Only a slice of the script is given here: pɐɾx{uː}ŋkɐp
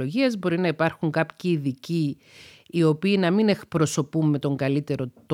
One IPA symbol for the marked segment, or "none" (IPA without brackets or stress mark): u